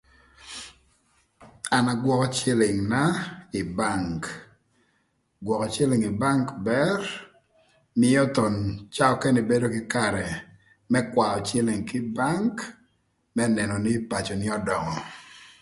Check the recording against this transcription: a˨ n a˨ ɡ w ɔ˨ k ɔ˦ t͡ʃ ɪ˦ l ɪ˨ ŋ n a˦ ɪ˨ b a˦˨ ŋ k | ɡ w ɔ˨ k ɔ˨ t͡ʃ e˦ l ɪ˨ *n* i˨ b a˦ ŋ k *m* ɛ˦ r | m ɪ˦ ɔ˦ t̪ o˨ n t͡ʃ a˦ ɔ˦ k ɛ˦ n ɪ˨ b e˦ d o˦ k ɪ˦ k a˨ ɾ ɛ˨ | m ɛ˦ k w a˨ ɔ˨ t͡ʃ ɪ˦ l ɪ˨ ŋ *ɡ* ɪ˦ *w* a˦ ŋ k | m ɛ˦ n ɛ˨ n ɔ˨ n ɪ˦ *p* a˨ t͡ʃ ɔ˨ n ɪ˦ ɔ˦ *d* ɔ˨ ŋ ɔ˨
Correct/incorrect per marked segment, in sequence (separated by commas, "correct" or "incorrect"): incorrect, incorrect, incorrect, incorrect, correct, correct